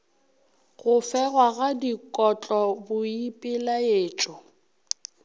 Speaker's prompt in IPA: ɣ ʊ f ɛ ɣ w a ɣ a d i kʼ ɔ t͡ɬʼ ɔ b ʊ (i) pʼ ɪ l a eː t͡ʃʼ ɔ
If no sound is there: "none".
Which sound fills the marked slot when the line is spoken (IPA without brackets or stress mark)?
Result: i